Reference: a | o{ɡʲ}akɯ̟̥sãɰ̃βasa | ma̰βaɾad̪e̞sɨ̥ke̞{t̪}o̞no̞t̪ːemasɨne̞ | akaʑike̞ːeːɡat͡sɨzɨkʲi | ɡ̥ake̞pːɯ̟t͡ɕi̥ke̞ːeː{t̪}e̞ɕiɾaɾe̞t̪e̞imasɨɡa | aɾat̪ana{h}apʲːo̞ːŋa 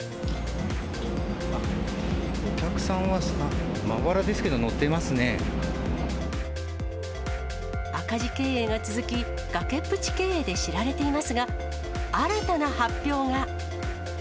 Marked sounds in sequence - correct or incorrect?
incorrect: kʲ, incorrect: d̪, incorrect: d̪, correct

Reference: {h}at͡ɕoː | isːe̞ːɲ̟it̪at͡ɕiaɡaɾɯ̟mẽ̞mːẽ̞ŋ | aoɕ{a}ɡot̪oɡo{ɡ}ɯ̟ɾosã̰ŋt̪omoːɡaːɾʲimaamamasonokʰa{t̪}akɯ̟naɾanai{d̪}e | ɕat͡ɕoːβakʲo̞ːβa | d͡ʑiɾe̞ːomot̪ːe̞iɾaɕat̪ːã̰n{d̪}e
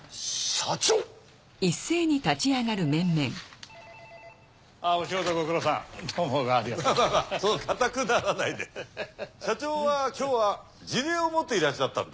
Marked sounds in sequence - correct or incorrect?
incorrect: ɕ, incorrect: i, incorrect: k, correct, correct, correct

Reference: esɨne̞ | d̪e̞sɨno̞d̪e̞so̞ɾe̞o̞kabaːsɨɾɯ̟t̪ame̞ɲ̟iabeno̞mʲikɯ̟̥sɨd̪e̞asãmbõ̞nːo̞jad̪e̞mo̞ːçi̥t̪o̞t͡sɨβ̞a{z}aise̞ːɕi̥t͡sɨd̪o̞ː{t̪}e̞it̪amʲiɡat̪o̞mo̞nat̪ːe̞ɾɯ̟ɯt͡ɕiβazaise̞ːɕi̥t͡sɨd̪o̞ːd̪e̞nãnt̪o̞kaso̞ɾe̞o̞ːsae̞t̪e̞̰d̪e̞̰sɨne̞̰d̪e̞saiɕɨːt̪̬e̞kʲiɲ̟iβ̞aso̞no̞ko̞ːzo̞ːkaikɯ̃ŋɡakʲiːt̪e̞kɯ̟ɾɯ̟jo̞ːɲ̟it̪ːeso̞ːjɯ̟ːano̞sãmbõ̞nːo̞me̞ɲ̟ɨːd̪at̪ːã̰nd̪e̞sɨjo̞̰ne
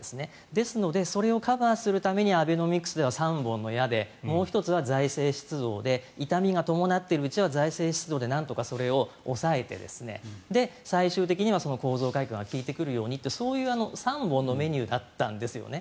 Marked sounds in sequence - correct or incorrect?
correct, incorrect: d̪

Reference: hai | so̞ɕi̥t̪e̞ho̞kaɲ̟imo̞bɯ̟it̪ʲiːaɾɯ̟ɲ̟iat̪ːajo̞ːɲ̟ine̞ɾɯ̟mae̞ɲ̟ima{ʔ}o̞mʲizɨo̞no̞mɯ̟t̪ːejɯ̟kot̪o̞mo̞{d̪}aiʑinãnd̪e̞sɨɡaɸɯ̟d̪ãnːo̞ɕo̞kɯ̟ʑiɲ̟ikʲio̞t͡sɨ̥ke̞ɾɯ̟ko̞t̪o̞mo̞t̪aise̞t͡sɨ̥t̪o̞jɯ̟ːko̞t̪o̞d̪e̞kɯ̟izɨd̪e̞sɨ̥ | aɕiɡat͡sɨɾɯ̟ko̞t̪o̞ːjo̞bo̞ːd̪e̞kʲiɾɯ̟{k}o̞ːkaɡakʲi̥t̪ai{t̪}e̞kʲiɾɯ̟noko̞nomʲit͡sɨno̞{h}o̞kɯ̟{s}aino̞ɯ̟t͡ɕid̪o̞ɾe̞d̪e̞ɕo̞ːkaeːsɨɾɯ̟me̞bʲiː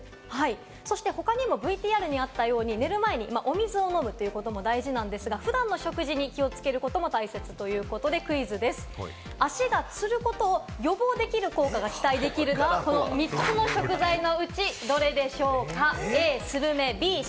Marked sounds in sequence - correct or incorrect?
correct, correct, correct, incorrect: d̪, incorrect: ɕ, incorrect: z

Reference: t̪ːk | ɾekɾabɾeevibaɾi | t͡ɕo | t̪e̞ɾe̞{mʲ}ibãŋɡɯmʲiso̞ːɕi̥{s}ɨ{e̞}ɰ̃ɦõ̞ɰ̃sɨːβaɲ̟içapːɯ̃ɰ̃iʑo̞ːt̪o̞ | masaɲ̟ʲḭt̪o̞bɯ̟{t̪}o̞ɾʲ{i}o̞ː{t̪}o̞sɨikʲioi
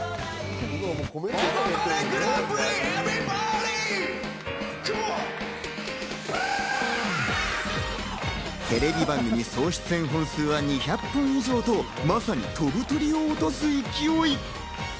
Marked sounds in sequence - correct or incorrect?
incorrect: bʲ, incorrect: t͡s, incorrect: ẽ̞, correct, correct, correct

